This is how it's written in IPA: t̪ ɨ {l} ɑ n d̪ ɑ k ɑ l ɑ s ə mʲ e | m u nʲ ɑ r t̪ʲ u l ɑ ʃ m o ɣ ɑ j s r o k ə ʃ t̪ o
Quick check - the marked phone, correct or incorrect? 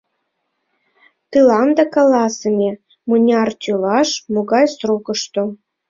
correct